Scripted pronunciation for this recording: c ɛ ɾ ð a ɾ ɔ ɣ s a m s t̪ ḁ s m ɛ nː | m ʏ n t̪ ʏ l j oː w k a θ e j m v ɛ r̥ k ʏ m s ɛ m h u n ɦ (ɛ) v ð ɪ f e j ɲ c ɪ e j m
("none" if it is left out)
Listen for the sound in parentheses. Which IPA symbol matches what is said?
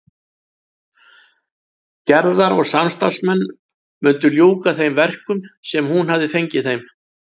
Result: a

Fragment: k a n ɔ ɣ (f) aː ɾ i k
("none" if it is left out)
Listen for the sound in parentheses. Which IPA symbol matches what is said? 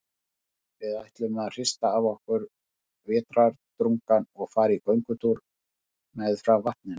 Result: f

